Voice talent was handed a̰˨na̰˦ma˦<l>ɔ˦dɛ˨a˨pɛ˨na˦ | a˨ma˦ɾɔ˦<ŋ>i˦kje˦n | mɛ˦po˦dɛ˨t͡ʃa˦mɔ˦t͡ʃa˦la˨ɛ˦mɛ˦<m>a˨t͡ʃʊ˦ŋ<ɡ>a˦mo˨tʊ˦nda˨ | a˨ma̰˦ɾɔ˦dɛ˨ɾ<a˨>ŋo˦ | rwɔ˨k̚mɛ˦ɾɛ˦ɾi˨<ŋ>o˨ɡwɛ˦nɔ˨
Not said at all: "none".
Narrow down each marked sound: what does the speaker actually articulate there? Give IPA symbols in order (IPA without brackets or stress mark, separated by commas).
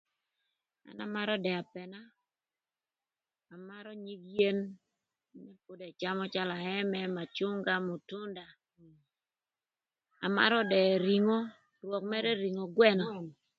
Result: ɾ, ɲ, m, ɡ, i˨, ŋ